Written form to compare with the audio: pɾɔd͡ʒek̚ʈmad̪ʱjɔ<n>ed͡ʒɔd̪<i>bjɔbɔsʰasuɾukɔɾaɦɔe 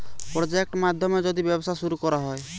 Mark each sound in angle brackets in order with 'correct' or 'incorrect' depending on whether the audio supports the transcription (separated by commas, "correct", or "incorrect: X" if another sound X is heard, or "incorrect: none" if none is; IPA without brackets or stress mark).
incorrect: m, correct